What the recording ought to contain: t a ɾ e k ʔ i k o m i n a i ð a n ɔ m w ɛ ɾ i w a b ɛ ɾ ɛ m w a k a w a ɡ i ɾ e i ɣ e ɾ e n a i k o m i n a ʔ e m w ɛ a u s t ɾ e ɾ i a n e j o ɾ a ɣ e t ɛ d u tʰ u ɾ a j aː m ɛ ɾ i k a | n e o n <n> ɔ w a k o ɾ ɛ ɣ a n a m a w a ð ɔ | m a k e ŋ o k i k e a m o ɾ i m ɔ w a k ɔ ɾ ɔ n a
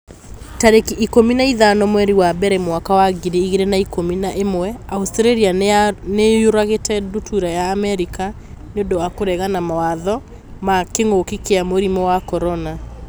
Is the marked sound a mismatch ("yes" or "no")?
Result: yes